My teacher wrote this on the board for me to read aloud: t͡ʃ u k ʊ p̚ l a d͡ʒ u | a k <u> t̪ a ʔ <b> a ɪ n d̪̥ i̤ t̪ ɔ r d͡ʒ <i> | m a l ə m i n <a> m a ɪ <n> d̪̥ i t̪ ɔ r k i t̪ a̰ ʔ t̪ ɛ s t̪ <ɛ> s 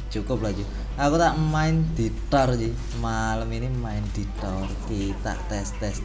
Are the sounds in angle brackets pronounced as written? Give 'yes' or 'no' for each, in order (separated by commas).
yes, no, yes, no, yes, yes